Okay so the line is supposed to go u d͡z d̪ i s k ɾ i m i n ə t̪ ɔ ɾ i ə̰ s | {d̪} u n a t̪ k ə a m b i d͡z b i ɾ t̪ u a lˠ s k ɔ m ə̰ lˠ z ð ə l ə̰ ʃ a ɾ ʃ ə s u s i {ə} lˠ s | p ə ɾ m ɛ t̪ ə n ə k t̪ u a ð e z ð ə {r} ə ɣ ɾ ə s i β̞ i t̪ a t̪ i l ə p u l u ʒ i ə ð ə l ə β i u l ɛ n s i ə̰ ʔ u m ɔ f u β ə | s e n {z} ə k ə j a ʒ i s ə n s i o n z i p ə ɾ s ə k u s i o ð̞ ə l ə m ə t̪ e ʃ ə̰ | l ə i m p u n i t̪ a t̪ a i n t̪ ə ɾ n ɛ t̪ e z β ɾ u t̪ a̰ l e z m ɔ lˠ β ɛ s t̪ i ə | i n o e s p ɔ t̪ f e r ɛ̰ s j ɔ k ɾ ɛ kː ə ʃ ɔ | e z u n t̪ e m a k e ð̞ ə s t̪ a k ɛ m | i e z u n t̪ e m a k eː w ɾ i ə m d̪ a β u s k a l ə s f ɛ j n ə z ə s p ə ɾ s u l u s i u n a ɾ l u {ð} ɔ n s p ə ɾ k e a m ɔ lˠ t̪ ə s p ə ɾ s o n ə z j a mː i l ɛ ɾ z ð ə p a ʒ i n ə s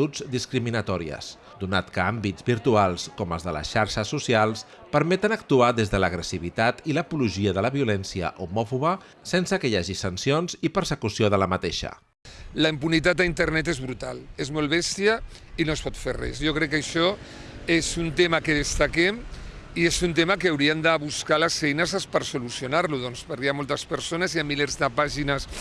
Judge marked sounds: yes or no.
yes, no, no, no, yes

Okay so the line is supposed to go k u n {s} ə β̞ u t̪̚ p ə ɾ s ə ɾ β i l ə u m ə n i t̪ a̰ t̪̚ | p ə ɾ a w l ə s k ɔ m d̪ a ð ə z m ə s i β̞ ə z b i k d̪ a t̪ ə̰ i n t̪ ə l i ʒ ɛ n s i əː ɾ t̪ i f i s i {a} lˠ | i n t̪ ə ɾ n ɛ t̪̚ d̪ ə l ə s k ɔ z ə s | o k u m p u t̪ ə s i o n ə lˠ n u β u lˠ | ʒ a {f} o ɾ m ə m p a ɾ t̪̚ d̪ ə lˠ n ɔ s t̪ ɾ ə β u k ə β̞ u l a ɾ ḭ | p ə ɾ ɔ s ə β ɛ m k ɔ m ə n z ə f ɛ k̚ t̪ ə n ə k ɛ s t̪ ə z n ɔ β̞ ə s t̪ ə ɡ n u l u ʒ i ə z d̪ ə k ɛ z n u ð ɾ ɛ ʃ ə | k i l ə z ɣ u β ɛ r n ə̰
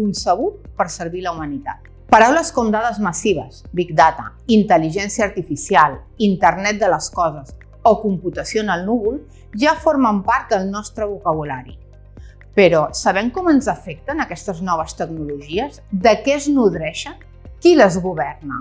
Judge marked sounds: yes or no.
yes, yes, yes

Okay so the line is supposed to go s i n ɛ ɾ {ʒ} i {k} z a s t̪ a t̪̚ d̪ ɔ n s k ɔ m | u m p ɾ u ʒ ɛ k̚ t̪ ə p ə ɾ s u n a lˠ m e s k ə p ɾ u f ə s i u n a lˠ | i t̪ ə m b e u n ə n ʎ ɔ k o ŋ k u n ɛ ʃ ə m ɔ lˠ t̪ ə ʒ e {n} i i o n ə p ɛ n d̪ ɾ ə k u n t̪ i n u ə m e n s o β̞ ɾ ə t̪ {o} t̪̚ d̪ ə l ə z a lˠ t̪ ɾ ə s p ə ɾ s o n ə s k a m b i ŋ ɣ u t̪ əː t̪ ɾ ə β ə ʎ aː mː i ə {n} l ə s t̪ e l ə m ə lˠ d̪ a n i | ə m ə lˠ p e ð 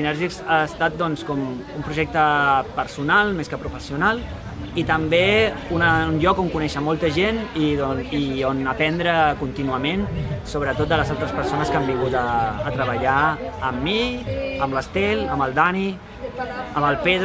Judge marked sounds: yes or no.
yes, yes, yes, yes, no

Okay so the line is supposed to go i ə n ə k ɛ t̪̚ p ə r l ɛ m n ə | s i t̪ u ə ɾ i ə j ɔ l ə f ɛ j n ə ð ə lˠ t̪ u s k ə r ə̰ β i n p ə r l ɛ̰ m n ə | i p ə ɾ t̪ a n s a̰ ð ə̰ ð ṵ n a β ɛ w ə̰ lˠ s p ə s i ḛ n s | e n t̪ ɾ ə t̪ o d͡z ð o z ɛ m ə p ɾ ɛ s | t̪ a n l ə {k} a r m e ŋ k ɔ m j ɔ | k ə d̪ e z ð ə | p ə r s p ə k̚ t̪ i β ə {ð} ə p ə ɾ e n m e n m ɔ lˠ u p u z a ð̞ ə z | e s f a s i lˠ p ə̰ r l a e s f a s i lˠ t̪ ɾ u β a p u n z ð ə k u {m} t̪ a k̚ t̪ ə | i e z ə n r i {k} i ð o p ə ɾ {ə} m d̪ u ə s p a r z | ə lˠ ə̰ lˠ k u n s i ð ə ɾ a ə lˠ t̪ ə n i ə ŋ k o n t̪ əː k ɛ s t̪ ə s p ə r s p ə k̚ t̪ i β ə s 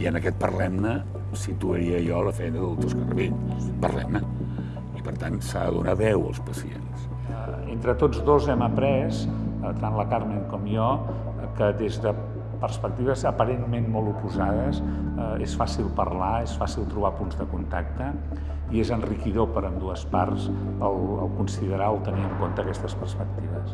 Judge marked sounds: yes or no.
yes, no, no, yes, yes

